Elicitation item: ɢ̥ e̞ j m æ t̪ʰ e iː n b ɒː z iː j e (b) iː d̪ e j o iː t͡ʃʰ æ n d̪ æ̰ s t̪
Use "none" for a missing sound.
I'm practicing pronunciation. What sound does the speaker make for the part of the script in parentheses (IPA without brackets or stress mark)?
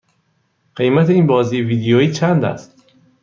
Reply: v